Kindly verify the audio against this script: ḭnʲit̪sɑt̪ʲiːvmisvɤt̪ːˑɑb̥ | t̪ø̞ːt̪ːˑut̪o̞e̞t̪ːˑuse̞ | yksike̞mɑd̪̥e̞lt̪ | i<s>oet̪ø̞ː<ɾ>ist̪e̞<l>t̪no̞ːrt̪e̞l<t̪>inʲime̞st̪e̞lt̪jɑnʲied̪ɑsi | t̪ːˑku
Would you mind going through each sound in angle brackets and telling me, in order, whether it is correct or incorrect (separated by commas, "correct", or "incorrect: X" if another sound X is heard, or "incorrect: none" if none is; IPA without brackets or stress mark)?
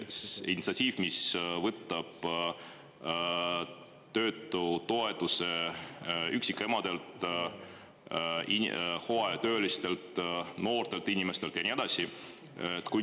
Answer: incorrect: h, incorrect: l, correct, correct